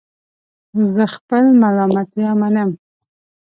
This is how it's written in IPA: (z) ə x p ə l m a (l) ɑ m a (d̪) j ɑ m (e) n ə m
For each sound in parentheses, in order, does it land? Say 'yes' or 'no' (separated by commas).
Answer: yes, yes, no, no